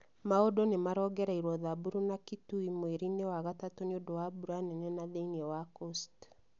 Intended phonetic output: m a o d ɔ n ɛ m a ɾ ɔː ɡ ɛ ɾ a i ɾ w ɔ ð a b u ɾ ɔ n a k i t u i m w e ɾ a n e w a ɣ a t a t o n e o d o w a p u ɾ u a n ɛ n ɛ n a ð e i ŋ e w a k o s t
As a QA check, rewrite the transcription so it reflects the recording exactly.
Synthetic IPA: m a o d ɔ n e m a ɾ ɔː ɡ ɛ ɾ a i ɾ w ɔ ð a b u ɾ u n a k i t u i m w e ɾ i n e w a ɣ a t a t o n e o d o w a b u ɾ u a n ɛ n ɛ n a ð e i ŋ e w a k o s t